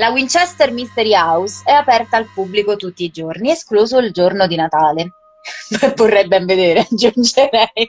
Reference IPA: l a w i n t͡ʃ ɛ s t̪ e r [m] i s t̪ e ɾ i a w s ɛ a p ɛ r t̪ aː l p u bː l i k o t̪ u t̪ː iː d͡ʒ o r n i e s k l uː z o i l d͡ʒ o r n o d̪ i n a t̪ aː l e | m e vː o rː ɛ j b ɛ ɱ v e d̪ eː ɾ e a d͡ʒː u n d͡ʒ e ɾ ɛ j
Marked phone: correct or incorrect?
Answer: correct